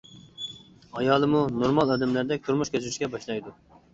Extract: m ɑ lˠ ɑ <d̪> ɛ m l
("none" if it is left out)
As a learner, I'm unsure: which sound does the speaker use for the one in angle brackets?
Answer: d̪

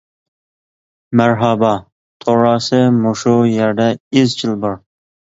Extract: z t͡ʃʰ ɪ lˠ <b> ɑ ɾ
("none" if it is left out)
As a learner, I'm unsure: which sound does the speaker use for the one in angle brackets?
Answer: b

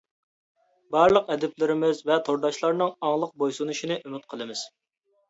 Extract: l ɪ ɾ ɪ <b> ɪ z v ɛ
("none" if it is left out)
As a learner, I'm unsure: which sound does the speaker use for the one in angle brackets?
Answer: m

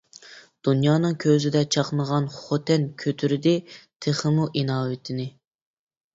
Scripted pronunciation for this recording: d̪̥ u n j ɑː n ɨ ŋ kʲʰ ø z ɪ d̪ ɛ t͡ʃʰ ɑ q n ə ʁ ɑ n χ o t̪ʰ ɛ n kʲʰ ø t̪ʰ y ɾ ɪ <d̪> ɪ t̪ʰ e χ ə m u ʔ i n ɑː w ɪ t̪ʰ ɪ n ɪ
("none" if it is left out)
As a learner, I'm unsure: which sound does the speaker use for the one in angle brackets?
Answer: d̪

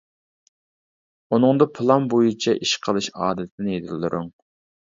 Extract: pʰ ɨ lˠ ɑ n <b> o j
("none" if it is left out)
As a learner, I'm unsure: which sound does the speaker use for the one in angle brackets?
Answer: b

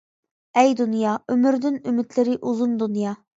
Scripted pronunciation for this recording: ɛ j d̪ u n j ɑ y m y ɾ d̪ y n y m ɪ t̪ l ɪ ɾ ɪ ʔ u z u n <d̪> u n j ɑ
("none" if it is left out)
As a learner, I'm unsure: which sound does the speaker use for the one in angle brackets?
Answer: d̪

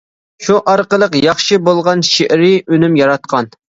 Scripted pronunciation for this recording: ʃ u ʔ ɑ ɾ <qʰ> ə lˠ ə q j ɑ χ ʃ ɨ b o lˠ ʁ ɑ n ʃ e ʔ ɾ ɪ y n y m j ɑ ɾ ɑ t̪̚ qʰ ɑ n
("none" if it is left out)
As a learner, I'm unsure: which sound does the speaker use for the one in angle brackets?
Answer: q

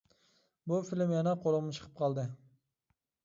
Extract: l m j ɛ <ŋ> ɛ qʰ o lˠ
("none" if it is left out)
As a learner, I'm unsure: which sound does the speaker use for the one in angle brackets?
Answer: n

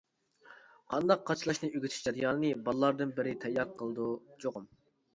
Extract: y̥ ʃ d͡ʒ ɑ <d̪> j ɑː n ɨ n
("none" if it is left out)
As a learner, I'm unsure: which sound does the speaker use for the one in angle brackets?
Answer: d̪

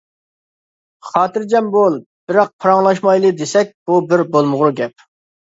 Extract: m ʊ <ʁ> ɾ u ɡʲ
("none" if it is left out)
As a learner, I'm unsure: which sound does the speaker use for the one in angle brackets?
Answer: ʁ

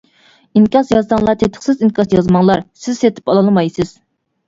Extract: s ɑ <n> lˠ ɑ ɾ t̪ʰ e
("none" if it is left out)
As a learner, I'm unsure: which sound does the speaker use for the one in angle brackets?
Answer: ŋ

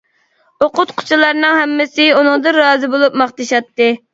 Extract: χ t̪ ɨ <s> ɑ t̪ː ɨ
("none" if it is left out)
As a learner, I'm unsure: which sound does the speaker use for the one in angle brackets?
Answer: ʃ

